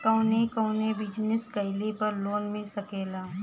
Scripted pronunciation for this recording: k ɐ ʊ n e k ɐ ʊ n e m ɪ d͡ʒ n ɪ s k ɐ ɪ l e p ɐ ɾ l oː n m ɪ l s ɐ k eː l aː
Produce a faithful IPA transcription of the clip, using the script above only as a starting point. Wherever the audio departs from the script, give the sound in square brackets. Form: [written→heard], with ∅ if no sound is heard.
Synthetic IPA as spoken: k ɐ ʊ n e k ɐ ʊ n e [m→b] ɪ d͡ʒ n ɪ s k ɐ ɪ l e p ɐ ɾ l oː n m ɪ l s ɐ k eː l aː